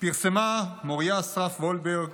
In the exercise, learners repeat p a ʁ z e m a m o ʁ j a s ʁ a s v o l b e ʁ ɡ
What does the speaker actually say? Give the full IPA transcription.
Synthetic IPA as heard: p i ʁ s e m a m o ʁ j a s ʁ a f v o l b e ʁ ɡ